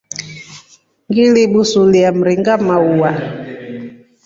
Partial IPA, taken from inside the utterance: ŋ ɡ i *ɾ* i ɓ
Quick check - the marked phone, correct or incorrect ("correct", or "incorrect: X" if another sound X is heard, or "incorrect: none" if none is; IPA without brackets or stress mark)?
incorrect: l